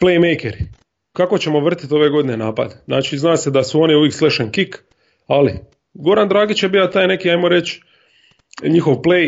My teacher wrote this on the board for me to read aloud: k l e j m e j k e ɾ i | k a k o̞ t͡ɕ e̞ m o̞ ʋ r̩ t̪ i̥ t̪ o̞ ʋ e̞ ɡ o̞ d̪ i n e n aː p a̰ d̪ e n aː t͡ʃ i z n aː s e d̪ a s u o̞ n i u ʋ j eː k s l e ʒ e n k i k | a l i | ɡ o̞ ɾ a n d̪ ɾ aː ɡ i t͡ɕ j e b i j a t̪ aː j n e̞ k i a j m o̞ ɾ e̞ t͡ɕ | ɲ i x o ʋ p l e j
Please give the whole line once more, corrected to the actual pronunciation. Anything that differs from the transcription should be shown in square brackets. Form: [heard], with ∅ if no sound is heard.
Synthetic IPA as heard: [p] l e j m e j k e ɾ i | k a k o̞ t͡ɕ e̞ m o̞ ʋ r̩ t̪ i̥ t̪ o̞ ʋ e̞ ɡ o̞ d̪ i n e n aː p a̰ d̪ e n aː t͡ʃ i z n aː s e d̪ a s u o̞ n i u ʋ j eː k s l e [ʃ] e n k i k | a l i | ɡ o̞ ɾ a n d̪ ɾ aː ɡ i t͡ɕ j e b i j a t̪ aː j n e̞ k i a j m o̞ ɾ e̞ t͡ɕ | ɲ i x o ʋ p l e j